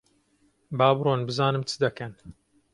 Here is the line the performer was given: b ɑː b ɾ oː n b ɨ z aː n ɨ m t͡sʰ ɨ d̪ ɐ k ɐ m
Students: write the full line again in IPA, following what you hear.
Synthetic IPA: b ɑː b ɾ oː n b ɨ z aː n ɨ m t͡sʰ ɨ d̪ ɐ k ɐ n